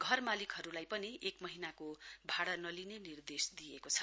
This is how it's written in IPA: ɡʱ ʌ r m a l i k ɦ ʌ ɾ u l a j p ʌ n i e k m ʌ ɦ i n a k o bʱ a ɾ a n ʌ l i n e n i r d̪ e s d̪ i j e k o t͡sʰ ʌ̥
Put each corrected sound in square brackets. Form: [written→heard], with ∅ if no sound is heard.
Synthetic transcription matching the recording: ɡʱ ʌ r m a l i k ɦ ʌ ɾ u l a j p ʌ n i e k m ʌ ɦ i n a k o bʱ a [ɾ→ɽ] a n ʌ l i n e n i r d̪ e s d̪ i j e k o t͡sʰ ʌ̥